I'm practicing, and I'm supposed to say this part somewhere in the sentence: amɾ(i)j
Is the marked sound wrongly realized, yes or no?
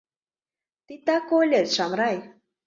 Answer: yes